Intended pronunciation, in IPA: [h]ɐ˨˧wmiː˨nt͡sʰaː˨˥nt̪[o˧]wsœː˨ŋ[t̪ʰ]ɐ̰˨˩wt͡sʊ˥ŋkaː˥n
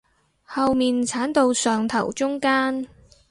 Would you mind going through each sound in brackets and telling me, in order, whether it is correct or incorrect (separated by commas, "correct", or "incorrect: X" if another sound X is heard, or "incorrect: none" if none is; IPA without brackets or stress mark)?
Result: correct, correct, correct